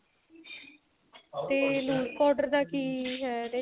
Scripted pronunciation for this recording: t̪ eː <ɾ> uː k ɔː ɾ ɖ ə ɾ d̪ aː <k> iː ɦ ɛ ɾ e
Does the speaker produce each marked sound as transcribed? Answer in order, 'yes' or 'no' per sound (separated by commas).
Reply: no, yes